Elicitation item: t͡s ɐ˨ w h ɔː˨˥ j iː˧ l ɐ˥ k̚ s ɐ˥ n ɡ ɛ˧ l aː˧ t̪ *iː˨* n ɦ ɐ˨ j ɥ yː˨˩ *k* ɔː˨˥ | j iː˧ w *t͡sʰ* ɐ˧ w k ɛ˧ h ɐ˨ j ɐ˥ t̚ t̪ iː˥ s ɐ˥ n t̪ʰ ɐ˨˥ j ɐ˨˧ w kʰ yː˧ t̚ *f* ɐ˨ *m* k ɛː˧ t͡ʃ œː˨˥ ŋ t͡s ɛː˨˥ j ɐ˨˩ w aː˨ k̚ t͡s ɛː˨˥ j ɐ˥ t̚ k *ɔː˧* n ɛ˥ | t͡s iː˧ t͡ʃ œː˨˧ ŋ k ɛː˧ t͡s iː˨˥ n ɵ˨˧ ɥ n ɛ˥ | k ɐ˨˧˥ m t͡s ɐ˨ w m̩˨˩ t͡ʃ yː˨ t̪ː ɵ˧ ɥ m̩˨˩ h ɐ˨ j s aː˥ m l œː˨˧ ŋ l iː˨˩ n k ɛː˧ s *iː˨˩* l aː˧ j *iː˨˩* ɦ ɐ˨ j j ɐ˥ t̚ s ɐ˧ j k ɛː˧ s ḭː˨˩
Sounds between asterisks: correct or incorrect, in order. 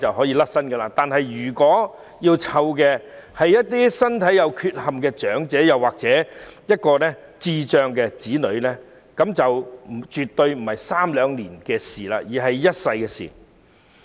incorrect, correct, correct, incorrect, correct, correct, correct, correct

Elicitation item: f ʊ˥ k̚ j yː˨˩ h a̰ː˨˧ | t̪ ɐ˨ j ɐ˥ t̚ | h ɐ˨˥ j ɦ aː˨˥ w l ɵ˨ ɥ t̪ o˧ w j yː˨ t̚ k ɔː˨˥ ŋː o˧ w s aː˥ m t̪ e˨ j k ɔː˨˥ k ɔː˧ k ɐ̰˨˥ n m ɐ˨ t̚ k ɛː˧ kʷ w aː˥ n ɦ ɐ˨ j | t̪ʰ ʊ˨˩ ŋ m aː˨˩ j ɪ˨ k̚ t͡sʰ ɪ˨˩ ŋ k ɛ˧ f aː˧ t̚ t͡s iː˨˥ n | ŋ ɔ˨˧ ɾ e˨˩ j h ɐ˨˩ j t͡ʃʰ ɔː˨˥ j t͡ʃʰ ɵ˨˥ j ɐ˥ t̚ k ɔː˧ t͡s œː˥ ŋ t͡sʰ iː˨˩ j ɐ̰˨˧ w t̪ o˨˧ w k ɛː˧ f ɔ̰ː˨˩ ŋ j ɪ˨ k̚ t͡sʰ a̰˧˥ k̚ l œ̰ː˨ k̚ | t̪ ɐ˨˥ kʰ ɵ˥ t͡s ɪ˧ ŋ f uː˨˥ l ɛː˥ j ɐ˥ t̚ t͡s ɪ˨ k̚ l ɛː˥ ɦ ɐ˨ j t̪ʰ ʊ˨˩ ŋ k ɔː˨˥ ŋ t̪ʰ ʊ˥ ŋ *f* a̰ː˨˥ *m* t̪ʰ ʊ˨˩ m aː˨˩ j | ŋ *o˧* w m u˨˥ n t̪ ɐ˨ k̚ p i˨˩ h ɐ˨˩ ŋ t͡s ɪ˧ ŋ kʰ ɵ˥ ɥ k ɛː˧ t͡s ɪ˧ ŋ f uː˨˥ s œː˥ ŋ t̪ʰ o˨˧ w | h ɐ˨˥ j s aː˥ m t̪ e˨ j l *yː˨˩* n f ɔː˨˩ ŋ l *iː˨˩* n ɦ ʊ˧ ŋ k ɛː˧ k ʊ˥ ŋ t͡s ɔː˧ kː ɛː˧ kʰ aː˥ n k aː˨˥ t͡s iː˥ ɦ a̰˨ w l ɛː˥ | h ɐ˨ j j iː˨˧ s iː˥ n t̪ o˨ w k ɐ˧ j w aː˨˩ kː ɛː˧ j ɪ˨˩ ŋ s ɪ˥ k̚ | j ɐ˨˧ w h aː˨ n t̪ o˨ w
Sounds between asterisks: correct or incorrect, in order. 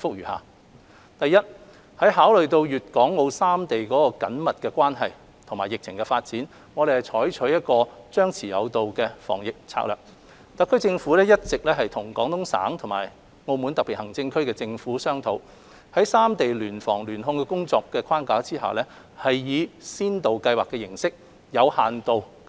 incorrect, incorrect, correct, correct, incorrect

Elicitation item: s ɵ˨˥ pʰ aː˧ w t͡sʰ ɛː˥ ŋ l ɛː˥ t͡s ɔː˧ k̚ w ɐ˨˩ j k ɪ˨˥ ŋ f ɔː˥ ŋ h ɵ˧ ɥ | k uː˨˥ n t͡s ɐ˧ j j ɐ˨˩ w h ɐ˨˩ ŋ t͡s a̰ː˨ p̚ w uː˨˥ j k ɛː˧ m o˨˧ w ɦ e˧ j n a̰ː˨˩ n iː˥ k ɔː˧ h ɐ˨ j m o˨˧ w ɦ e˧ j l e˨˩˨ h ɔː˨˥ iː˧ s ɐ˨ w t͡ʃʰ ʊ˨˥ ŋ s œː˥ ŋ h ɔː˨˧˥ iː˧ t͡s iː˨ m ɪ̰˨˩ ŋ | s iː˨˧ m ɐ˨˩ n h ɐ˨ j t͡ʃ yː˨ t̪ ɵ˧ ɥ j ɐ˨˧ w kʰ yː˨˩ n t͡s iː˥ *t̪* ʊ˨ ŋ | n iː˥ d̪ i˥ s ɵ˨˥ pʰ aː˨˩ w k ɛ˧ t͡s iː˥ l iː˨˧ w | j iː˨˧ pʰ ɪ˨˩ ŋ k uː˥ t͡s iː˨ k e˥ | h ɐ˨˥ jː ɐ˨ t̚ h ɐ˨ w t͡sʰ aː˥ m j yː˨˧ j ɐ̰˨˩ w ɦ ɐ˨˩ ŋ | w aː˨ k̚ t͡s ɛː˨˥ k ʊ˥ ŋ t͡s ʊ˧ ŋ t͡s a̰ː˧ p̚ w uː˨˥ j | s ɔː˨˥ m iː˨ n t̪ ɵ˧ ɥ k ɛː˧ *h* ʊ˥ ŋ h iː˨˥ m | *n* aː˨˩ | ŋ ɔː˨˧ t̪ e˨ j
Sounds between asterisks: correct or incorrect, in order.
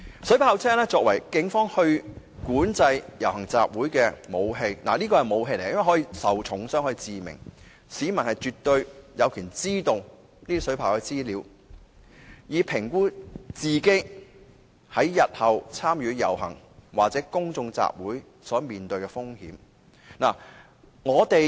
correct, incorrect, correct

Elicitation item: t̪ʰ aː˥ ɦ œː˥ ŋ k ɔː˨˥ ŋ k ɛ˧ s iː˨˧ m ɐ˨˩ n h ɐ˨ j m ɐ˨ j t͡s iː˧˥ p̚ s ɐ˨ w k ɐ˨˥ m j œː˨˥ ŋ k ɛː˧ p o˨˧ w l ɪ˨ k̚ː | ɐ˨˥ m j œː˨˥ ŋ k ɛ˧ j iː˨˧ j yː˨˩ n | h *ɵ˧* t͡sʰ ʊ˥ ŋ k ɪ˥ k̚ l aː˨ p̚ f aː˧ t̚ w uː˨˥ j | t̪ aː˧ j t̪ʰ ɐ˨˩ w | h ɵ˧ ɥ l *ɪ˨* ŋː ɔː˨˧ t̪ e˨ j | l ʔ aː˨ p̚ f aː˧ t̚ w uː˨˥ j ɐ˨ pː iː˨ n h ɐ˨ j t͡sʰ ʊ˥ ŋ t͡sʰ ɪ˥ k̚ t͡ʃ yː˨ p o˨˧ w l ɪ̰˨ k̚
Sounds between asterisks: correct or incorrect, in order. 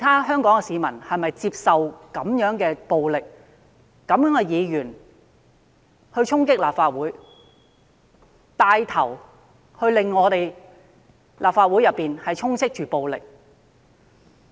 correct, correct

